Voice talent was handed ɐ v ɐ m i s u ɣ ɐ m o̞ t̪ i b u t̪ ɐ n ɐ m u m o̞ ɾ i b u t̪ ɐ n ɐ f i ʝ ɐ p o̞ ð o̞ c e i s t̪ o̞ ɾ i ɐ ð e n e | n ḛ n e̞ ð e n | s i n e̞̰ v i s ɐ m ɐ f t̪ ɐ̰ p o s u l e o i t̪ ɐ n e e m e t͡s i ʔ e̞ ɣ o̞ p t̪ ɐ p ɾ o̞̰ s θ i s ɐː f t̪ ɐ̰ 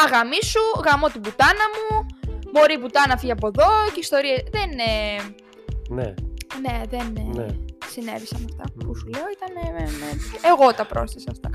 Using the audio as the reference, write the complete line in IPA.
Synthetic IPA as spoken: ɐ ɣ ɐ m i s u ɣ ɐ m o̞ t̪ i b u t̪ ɐ n ɐ m u m o̞ ɾ i b u t̪ ɐ n ɐ f i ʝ ɐ p o̞ ð o̞ c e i s t̪ o̞ ɾ i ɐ ð e n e | n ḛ n e̞ ð e n | s i n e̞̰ v i s ɐ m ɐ f t̪ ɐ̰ p u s u l e o i t̪ ɐ n e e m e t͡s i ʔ e̞ ɣ o̞ t̪ ɐ p ɾ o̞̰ s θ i s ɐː f t̪ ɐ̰